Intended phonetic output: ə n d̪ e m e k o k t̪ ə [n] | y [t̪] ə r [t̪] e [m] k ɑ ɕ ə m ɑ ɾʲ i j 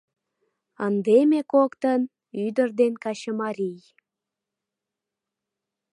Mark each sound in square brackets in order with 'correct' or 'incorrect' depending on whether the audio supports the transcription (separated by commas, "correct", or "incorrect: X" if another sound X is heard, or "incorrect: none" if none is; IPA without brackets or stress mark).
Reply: correct, incorrect: d̪, incorrect: d̪, incorrect: n